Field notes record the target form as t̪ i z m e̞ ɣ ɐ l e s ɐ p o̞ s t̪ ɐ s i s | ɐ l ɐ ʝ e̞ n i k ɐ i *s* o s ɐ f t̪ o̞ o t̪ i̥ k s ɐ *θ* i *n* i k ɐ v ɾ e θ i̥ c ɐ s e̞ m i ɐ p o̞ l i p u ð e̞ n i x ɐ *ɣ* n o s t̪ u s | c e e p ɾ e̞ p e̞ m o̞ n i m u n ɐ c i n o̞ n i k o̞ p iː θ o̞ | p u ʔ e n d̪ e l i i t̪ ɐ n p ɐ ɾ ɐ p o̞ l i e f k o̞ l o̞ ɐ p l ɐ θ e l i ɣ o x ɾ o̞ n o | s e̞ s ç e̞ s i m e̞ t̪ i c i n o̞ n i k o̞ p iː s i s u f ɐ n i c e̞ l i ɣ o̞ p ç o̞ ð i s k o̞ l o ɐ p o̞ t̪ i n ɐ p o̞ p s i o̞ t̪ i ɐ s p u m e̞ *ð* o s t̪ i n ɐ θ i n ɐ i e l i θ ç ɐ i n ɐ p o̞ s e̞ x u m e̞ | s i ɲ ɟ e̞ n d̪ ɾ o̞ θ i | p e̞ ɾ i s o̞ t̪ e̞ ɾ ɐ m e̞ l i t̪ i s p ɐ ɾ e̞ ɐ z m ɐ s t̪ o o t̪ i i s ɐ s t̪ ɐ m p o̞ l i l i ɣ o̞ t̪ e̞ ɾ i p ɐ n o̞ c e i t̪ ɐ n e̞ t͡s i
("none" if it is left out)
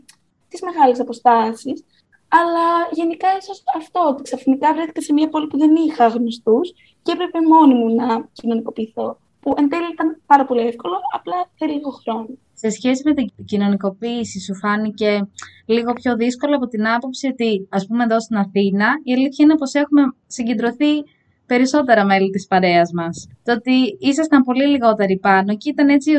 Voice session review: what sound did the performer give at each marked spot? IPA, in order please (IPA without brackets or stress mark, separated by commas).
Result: s, f, n, ɣ, ð